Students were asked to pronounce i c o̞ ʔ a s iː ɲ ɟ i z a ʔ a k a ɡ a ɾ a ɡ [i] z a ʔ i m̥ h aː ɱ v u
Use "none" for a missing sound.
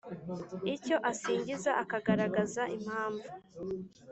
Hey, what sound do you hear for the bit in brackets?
a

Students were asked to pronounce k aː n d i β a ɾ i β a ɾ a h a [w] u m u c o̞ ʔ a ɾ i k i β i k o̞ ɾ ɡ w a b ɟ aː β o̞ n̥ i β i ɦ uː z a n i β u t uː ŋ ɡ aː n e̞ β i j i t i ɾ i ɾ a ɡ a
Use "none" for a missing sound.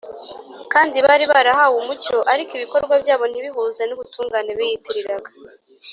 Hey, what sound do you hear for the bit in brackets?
w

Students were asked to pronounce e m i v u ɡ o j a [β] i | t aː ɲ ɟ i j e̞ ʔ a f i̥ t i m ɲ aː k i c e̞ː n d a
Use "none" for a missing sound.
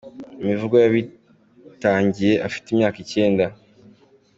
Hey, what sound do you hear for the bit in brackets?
β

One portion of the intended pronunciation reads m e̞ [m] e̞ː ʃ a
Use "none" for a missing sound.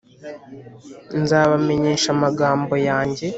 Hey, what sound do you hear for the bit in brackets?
ɲ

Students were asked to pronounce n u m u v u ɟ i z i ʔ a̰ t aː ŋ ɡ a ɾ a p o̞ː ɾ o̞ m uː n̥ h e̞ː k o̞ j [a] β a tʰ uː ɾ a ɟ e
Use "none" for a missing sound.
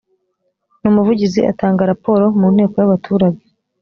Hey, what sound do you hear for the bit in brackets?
a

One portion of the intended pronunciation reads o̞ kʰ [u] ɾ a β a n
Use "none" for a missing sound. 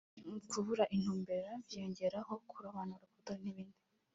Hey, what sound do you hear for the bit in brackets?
u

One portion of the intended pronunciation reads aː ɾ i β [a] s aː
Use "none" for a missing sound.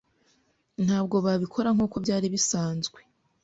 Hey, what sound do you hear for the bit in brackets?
i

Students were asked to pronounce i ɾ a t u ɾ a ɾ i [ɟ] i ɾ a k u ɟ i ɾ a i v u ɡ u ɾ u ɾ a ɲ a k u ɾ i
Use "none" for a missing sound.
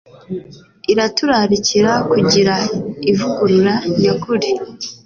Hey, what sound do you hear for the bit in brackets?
c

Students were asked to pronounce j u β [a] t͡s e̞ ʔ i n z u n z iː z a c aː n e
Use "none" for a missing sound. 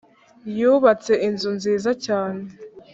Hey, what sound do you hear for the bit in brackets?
a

